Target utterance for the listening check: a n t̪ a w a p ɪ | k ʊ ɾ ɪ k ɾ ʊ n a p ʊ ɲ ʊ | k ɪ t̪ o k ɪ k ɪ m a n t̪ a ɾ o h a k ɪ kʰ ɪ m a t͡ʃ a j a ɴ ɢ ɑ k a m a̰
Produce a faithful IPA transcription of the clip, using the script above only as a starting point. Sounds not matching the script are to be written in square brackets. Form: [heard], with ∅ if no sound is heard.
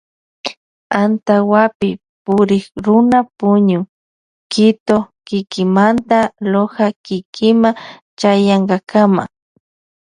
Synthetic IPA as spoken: a n t̪ a w a p ɪ | [p] ʊ ɾ ɪ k ɾ ʊ n a p ʊ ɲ ʊ | k ɪ t̪ o k ɪ k ɪ m a n t̪ a [l] o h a k ɪ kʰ ɪ m a t͡ʃ a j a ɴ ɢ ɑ k a m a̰